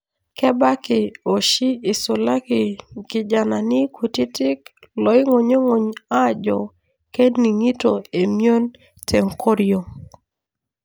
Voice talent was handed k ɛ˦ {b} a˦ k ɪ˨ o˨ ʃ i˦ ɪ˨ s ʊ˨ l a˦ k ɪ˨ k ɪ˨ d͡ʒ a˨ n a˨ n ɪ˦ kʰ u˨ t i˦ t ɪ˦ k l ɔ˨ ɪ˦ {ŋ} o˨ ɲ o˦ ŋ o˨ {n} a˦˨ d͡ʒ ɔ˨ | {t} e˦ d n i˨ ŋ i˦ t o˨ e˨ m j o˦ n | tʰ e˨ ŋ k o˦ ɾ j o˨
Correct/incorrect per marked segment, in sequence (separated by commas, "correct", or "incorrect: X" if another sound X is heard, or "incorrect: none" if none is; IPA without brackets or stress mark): correct, correct, incorrect: ɲ, incorrect: k